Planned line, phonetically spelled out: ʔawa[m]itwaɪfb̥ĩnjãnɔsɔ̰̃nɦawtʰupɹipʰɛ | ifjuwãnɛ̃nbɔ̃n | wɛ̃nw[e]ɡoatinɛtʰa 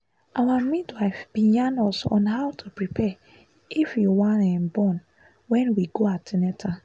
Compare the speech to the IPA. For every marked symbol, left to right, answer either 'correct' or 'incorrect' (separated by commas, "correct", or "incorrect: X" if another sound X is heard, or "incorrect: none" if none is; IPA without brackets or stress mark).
correct, incorrect: i